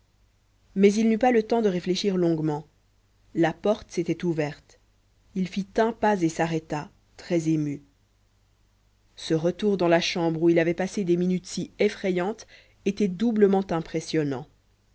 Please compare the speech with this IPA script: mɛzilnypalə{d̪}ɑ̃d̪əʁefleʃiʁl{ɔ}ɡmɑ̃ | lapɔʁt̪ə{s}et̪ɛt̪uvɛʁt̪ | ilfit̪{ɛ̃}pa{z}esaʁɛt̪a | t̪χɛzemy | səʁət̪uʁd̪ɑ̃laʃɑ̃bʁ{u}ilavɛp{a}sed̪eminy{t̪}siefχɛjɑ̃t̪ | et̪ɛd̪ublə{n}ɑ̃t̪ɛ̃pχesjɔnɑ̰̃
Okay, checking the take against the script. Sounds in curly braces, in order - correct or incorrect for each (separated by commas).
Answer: incorrect, incorrect, correct, correct, correct, correct, correct, correct, incorrect